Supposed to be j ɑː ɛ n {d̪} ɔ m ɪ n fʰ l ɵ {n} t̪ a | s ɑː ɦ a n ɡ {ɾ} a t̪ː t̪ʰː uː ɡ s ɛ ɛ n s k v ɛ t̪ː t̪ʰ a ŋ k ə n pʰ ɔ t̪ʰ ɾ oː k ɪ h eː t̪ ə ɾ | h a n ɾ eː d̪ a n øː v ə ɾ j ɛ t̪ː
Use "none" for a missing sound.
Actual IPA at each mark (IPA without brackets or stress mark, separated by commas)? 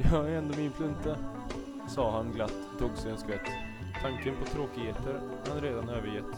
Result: d̪, n, l